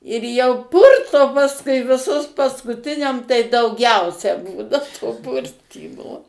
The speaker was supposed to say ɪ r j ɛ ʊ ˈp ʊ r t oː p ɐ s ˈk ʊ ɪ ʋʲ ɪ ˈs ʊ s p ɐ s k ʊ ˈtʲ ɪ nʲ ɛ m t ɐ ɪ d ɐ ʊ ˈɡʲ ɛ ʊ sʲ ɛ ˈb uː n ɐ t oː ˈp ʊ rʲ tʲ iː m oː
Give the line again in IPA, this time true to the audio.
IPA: ɪ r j ɛ ʊ ˈp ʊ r t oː p ɐ s ˈk ʊ ɪ ʋʲ ɪ ˈs ʊ s p ɐ s k ʊ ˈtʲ ɪ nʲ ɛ m t ɐ ɪ d ɐ ʊ ˈɡʲ ɛ ʊ sʲ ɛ ˈb uː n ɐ t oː ˈp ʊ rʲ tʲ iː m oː